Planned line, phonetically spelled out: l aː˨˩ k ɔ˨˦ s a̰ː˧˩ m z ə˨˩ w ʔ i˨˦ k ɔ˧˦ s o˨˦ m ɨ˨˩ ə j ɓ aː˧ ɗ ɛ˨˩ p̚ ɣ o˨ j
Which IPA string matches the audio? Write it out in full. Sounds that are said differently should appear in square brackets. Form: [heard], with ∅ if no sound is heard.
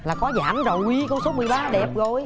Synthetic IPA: l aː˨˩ k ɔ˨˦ [z] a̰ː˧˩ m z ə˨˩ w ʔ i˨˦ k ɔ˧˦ s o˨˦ m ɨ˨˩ ə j ɓ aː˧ ɗ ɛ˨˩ p̚ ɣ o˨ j